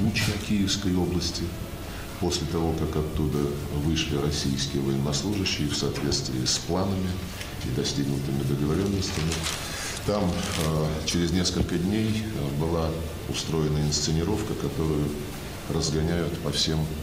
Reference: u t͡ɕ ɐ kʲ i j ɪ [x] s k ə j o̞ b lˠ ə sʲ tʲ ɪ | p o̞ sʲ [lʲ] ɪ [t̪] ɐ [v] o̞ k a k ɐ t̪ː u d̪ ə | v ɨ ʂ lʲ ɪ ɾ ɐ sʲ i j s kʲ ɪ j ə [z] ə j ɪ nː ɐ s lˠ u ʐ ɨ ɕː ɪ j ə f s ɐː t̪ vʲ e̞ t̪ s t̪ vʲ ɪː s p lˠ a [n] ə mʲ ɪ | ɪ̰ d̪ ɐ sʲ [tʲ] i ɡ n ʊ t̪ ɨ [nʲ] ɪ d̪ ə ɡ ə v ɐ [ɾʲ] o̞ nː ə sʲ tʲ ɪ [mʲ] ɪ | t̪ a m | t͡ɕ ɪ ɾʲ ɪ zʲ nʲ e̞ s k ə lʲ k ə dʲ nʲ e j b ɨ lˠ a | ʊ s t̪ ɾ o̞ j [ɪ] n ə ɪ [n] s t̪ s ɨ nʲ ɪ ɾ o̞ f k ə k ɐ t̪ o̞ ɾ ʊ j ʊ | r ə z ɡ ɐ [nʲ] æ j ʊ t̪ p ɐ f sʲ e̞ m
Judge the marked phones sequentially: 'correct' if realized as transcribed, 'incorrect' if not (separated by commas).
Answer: incorrect, correct, correct, correct, incorrect, correct, correct, incorrect, correct, correct, correct, correct, correct